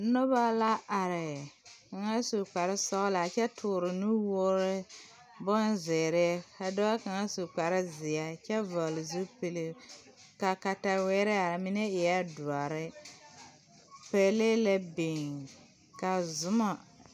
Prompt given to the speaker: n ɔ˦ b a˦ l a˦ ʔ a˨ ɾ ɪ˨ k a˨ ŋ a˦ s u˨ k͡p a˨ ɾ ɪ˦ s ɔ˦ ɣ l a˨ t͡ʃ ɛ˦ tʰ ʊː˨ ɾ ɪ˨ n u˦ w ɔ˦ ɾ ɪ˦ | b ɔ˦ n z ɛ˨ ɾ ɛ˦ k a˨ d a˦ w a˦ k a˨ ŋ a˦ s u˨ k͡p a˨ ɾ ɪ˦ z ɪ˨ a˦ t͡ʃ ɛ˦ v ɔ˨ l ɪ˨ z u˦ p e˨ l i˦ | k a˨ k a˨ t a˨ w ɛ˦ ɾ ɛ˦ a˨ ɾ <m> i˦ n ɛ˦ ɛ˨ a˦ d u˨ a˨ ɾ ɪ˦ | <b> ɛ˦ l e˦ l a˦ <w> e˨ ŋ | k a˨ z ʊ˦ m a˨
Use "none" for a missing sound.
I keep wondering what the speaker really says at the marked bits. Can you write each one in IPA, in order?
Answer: m, p, b

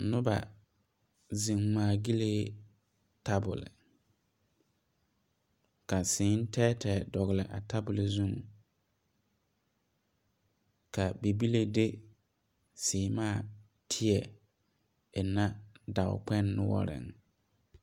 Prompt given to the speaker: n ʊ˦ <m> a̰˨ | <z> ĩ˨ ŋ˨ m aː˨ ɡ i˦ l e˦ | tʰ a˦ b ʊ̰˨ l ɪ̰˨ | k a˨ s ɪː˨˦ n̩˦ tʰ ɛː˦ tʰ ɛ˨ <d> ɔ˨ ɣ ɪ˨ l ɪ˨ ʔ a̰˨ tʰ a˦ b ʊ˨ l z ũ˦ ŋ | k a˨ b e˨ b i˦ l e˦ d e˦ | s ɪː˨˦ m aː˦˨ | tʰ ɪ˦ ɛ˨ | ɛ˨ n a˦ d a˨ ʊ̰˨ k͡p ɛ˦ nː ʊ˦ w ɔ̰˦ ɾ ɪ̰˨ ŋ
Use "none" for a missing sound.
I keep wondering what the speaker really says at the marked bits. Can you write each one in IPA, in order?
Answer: b, z, d

